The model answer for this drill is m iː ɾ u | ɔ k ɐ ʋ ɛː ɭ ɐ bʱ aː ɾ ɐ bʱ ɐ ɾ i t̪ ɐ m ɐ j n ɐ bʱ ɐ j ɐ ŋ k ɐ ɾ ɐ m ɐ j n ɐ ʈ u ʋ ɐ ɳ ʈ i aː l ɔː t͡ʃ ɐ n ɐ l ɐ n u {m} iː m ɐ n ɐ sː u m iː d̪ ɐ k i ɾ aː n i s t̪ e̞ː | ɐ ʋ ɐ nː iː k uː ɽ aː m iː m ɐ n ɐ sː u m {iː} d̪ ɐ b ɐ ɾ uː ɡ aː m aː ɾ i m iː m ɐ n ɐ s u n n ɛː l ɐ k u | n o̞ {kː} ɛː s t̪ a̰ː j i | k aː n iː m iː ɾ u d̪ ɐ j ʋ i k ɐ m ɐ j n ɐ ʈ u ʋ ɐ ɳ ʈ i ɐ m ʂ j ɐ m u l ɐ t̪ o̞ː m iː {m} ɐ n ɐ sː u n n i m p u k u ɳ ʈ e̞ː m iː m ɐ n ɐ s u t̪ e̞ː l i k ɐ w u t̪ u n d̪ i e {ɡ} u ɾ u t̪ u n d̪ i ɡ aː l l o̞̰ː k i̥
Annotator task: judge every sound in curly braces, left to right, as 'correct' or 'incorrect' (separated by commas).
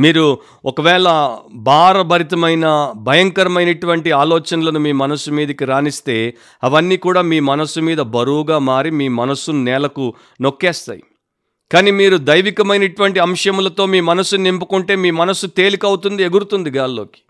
correct, correct, correct, correct, correct